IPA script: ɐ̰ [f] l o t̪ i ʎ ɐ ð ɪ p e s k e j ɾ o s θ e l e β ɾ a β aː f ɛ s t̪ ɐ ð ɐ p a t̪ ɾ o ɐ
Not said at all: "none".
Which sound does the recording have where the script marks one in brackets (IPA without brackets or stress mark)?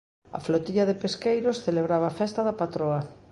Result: f